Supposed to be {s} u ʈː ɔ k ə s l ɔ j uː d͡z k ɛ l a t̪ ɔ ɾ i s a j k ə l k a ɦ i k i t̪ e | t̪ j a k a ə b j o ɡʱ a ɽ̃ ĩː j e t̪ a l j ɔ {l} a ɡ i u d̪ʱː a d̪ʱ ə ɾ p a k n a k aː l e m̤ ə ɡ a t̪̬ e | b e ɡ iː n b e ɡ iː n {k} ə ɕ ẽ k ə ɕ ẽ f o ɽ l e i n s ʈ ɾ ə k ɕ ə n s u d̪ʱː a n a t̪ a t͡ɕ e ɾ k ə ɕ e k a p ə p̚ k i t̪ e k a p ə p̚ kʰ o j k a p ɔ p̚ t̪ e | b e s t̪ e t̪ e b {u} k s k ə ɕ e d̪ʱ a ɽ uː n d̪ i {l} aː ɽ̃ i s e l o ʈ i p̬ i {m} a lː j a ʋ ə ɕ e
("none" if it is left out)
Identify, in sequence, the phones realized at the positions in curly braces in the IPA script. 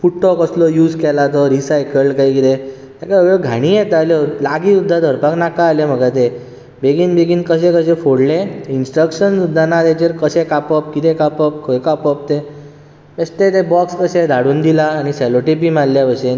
f, l, k, ɔ, l, m

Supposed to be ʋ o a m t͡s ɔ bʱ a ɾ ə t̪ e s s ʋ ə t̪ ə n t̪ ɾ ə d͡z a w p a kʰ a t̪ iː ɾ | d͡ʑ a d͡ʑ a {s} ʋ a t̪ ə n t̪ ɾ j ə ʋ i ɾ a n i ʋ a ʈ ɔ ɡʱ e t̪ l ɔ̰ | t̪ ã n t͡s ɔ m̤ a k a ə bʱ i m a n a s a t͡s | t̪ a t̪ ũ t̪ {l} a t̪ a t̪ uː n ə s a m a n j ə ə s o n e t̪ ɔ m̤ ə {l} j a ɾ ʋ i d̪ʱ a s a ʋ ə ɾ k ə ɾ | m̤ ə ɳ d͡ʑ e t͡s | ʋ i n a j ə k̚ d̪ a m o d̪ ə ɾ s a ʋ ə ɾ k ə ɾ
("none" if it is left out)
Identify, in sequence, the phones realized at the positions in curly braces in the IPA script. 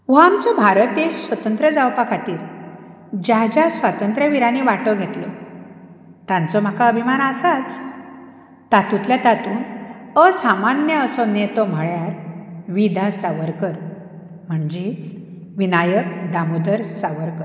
s, l, ɭ

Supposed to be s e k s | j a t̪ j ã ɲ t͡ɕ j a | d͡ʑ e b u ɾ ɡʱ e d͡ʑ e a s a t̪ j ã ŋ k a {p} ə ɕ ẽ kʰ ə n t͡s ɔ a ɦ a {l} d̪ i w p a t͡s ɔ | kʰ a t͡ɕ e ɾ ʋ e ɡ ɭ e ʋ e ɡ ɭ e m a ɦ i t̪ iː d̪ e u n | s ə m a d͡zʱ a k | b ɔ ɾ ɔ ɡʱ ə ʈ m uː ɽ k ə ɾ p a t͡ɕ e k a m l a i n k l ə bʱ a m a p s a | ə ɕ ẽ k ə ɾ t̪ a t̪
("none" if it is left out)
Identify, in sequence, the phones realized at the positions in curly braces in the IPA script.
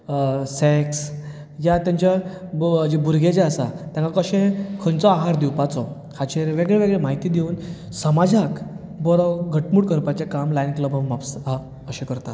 k, ɾ

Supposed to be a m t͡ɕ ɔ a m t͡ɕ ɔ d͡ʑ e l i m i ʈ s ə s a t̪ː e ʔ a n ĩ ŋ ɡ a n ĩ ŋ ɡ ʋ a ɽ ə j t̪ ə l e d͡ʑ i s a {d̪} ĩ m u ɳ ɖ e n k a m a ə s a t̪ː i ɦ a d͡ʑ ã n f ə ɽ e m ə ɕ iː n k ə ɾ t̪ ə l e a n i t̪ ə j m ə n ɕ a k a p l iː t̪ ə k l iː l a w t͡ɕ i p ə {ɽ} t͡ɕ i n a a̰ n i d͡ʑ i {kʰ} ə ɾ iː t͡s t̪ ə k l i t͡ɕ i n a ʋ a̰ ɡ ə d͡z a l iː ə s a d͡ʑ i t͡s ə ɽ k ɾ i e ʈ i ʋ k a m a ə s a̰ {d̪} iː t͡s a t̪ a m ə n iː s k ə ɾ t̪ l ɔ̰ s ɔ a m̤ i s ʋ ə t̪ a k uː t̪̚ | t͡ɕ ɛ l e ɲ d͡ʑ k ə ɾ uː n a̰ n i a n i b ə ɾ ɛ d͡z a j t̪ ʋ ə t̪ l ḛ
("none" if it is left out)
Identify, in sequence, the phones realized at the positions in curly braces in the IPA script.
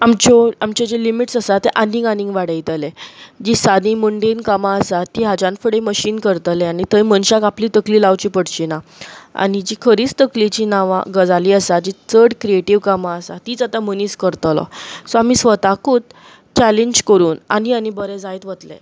d̪, ɽ, kʰ, t̪

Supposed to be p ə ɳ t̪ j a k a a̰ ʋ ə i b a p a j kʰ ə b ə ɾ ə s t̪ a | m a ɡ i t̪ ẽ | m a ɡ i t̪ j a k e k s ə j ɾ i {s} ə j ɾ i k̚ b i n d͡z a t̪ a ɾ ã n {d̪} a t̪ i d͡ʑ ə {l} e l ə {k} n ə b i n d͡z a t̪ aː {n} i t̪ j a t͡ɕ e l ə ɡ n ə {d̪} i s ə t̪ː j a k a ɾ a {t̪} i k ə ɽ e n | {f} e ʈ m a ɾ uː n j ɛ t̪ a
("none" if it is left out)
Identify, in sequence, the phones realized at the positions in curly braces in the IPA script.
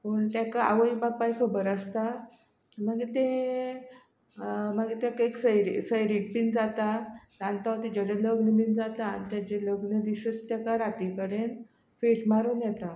s, t̪, ɽ, ɡ, n, d̪, t̪, f

